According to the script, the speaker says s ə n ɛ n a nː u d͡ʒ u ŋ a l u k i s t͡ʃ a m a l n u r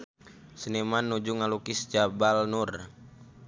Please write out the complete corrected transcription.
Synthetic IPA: s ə n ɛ m a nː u d͡ʒ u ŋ a l u k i s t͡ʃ a b a l n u r